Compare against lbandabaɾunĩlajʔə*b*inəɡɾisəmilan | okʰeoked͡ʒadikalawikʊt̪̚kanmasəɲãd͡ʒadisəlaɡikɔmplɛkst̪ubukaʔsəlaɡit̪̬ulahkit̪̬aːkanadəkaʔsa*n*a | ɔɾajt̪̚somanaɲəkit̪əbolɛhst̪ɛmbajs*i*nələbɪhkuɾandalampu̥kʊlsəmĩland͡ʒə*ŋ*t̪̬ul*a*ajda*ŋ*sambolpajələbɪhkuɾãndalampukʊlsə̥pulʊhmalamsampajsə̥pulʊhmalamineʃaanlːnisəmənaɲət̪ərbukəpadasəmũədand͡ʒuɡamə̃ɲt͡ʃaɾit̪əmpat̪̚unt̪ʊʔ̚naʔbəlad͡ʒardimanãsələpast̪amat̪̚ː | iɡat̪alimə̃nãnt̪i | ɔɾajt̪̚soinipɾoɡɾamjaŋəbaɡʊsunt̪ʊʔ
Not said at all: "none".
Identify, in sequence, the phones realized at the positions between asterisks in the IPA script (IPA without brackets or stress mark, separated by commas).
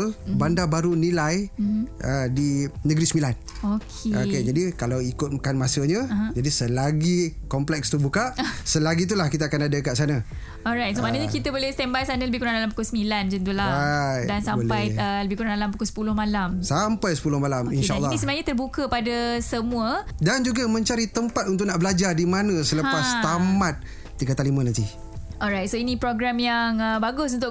d, n, a, n, a, n